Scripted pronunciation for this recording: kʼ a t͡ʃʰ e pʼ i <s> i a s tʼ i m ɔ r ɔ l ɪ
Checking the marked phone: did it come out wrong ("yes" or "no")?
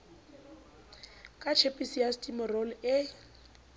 no